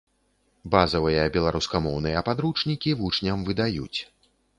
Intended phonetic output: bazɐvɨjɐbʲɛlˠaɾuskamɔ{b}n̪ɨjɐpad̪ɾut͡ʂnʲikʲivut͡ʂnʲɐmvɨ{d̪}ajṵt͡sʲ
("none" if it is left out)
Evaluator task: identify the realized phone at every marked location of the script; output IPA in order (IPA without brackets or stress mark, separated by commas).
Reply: w, d̪